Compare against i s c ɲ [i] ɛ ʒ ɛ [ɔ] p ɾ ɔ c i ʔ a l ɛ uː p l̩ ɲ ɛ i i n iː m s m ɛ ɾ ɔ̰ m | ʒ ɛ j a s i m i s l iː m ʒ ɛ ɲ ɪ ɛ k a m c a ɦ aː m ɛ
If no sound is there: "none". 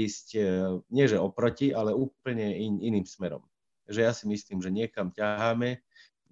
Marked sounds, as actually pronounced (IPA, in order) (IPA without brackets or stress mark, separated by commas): ɪ, ɔ